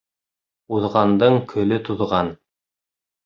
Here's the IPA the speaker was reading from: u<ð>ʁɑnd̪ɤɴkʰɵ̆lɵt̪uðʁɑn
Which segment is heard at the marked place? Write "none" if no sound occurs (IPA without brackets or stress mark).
ð